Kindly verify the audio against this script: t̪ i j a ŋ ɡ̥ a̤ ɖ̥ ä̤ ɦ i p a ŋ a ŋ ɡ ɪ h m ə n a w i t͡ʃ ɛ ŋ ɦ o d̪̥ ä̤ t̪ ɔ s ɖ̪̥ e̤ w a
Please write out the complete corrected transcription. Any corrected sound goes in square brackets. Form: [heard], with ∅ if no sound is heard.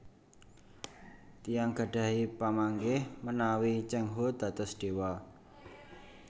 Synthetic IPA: t̪ i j a ŋ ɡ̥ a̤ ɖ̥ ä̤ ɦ i p a [m] a ŋ ɡ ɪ h m ə n a w i t͡ʃ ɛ ŋ ɦ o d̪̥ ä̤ t̪ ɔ s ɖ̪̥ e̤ w a